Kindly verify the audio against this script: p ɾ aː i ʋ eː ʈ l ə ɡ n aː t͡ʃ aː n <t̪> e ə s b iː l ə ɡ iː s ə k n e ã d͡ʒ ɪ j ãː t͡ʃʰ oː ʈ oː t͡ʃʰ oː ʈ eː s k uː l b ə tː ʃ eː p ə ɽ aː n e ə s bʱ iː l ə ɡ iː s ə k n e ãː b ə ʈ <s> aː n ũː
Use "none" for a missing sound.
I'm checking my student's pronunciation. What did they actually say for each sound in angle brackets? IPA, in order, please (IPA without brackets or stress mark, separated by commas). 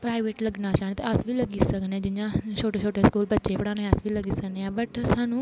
t̪, s